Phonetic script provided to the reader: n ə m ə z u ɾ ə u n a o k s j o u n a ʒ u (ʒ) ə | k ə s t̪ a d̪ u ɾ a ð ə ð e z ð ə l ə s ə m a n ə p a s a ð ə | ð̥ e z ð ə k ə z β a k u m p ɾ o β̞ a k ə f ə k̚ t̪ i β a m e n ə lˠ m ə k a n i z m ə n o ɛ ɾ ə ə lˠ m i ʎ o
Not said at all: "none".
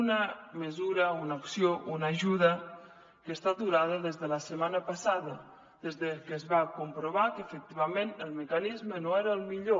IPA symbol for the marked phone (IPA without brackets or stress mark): ð